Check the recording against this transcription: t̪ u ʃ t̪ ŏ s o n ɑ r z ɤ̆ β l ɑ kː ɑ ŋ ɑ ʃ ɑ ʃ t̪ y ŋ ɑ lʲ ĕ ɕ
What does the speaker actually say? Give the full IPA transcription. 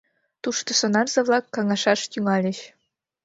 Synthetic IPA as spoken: t̪ u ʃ t̪ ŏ s o n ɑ r z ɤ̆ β l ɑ kː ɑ ŋ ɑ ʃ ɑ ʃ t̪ y ŋ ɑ lʲ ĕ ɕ